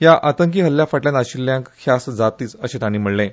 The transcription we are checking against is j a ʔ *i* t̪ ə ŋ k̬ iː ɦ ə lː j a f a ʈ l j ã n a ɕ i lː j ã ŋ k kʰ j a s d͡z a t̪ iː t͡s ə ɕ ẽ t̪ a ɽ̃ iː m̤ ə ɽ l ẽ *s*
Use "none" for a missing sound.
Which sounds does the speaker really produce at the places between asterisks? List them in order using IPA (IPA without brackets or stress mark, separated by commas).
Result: a, none